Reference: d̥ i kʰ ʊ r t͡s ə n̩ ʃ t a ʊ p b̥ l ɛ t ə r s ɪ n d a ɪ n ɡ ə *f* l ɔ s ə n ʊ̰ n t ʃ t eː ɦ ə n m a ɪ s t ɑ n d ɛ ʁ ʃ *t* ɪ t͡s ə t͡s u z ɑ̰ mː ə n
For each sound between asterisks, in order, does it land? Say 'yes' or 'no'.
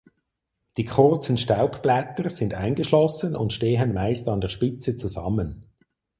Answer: no, no

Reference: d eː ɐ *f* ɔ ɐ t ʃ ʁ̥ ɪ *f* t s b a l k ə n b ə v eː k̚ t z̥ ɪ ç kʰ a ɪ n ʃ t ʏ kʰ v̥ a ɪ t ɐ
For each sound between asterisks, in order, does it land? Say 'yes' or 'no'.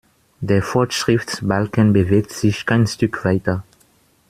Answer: yes, yes

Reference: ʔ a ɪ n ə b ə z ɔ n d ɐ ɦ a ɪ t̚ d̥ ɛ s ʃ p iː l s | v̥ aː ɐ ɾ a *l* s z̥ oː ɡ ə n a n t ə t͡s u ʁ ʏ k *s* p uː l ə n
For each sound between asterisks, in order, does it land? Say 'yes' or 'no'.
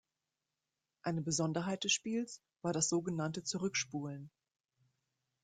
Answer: no, no

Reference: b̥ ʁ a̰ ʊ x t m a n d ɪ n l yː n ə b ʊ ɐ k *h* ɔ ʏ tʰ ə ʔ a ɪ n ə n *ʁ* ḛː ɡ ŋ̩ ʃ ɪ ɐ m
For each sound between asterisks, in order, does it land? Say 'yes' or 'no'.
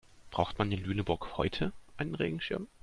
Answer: yes, yes

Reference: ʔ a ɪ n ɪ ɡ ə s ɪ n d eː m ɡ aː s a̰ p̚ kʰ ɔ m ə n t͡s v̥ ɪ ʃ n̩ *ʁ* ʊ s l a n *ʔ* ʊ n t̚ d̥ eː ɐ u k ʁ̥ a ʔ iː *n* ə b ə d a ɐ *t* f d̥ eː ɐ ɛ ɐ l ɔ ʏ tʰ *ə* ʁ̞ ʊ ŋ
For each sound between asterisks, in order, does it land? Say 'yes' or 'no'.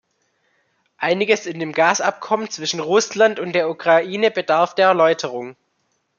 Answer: yes, no, yes, no, yes

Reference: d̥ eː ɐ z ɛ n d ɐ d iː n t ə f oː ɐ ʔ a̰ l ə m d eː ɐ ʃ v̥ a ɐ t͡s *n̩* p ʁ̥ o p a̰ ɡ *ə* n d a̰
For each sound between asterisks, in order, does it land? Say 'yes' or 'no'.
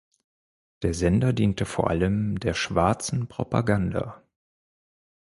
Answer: yes, no

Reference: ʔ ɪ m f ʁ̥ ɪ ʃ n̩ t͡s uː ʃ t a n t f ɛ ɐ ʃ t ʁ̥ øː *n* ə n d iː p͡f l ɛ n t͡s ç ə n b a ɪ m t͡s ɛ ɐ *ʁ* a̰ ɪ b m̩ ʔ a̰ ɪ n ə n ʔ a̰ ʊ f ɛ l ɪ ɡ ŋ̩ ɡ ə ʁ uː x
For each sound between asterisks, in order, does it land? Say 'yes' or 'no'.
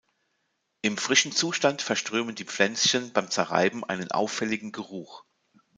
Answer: no, yes

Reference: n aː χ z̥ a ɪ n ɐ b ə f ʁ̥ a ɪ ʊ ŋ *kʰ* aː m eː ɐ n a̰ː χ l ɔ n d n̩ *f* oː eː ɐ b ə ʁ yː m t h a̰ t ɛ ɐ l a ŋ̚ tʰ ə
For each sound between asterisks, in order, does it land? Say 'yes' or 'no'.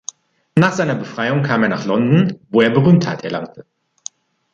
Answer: yes, no

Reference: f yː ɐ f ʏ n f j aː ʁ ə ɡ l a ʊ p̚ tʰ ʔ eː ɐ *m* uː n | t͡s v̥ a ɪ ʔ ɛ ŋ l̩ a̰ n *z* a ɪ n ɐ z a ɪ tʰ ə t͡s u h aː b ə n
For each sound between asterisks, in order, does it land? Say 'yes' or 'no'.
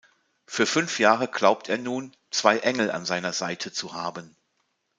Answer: no, yes

